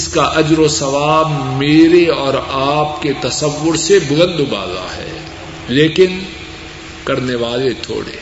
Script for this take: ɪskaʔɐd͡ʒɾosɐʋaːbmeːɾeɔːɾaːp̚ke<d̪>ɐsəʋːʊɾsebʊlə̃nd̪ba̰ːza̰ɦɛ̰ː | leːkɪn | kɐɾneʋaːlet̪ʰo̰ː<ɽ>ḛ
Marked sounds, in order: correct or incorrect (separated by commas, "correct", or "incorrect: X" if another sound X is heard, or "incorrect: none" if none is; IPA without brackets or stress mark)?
incorrect: t̪, correct